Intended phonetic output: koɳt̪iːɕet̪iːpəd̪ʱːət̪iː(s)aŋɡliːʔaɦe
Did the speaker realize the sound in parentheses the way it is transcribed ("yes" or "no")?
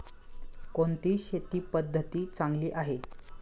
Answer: no